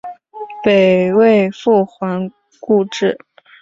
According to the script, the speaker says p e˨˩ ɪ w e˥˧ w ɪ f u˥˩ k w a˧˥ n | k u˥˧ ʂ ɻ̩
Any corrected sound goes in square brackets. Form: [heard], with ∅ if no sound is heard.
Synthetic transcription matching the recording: p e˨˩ ɪ w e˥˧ [∅] ɪ f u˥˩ [x] w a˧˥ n | k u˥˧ [ʈ͡ʂ] ɻ̩